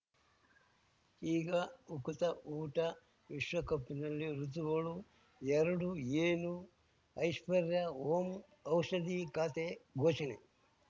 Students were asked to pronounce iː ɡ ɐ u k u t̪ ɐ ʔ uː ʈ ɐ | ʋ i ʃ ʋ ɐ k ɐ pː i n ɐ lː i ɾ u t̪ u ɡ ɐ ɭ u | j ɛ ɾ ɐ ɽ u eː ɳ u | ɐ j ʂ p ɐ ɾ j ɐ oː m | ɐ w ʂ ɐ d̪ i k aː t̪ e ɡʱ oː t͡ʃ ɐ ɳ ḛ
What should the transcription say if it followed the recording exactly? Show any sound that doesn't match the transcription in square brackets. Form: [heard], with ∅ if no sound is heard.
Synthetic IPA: iː ɡ ɐ u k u t̪ ɐ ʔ uː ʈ ɐ | ʋ i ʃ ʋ ɐ k ɐ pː i n ɐ lː i ɾ u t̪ u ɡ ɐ ɭ u | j ɛ ɾ ɐ ɽ u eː [n] u | ɐ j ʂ p ɐ ɾ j ɐ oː m | ɐ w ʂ ɐ d̪ i k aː t̪ e ɡʱ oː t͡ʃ ɐ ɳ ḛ